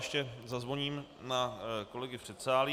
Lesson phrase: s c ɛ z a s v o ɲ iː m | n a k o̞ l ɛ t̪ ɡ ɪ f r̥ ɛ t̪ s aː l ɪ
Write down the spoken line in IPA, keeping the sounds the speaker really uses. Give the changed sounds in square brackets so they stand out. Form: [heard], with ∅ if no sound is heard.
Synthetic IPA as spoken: [ʃ] c ɛ z a [z] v o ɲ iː m | n a k o̞ l ɛ [∅] ɡ ɪ f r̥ ɛ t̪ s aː l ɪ

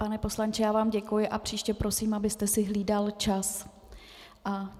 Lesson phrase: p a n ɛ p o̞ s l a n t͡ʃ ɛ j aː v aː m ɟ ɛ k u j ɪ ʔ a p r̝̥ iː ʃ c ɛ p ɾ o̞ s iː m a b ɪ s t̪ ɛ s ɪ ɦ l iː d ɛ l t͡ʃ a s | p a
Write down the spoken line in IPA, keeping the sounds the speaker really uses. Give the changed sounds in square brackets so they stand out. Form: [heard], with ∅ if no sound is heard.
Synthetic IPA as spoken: p a n ɛ p o̞ s l a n t͡ʃ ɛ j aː v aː m ɟ ɛ k u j ɪ ʔ a p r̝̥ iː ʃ c ɛ p ɾ o̞ s iː m a b ɪ s t̪ ɛ s ɪ ɦ l iː d [a] l t͡ʃ a s | [ʔ] a

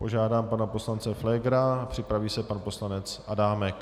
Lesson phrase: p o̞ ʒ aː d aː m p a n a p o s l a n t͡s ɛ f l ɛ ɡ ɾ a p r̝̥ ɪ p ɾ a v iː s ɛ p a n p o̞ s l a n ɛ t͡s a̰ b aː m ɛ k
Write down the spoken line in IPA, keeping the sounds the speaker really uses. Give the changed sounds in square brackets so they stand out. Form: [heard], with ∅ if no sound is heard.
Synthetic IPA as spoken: p o̞ ʒ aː d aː m p a n a p o s l a n t͡s ɛ f l ɛ ɡ ɾ a p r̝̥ ɪ p ɾ a v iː s ɛ p a n p o̞ s l a n ɛ t͡s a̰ [d] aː m ɛ k

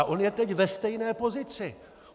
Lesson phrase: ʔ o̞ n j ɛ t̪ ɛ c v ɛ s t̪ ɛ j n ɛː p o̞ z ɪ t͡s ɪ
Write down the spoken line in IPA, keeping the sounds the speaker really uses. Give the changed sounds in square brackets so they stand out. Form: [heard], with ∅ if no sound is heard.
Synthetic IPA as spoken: ʔ o̞ n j ɛ t̪ ɛ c v ɛ s t̪ ɛ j n ɛː p o̞ z ɪ t͡s ɪ

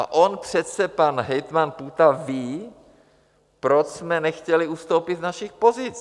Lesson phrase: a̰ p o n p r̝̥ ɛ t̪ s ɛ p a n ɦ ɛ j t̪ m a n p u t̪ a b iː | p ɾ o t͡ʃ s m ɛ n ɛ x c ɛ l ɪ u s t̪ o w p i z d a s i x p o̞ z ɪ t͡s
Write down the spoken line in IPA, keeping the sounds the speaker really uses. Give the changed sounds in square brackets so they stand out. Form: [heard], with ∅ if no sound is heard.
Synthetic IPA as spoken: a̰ [ʔ] o n p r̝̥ ɛ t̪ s ɛ p a n ɦ ɛ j t̪ m a n p u t̪ a [v] iː | p ɾ o t͡ʃ s m ɛ n ɛ x c ɛ l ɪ u s t̪ o w p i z [n] a [ʃ] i x p o̞ z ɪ t͡s

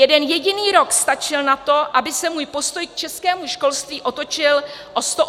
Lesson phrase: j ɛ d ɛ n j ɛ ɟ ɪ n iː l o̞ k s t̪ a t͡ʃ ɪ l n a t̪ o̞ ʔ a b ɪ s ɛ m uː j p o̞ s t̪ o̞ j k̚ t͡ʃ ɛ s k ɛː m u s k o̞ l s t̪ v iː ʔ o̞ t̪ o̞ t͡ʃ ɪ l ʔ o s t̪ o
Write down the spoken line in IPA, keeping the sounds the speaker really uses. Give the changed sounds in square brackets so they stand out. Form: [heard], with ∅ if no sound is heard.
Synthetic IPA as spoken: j ɛ d ɛ n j ɛ ɟ ɪ n iː [ɾ] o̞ k s t̪ a t͡ʃ ɪ l n a t̪ o̞ ʔ a b ɪ s ɛ m uː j p o̞ s t̪ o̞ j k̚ t͡ʃ ɛ s k ɛː m u [ʃ] k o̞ l s t̪ v iː ʔ o̞ t̪ o̞ t͡ʃ ɪ l ʔ o s t̪ o

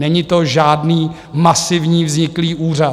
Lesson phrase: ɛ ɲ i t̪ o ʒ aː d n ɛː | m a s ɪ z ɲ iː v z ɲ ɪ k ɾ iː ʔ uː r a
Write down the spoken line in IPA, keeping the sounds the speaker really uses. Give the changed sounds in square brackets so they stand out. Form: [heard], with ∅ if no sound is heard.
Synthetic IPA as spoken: ɛ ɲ [ɪ] t̪ o ʒ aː d n [iː] | m a s ɪ [v] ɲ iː v z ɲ ɪ k [l] iː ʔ uː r a

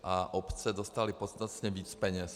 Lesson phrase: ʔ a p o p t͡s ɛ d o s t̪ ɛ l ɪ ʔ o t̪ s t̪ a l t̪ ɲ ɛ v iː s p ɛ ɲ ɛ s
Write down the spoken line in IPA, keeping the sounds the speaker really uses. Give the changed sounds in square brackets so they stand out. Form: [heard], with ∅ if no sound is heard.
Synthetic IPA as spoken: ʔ a [ʔ] o p t͡s ɛ d o s t̪ [a] l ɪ [p] o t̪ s t̪ a [∅] t̪ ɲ ɛ v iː [t͡s] p ɛ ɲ ɛ s

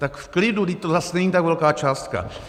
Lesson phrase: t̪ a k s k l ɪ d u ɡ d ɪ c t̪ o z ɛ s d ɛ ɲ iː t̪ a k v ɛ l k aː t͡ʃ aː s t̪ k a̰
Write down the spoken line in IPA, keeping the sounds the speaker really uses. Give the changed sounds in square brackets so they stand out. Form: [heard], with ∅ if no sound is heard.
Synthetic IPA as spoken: t̪ a k [f] k l ɪ d u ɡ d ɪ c t̪ o z [a] s [n] ɛ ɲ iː t̪ a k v ɛ l k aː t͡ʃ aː s t̪ k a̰

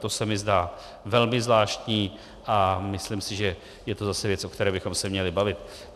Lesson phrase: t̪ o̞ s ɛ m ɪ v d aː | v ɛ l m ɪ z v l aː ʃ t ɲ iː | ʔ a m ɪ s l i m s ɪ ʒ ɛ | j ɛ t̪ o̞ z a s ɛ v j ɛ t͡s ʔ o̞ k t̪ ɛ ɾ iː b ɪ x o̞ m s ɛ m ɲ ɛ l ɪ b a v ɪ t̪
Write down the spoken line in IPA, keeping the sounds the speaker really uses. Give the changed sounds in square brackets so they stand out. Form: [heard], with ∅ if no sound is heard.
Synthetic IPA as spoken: t̪ o̞ s ɛ m ɪ [z] d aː | v ɛ l m ɪ z v l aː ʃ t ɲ iː | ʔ a m ɪ s l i m s ɪ ʒ ɛ | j ɛ t̪ o̞ z a s ɛ v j ɛ t͡s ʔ o̞ k t̪ ɛ ɾ [ɛː] b ɪ x o̞ m s ɛ m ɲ ɛ l ɪ b a v ɪ t̪

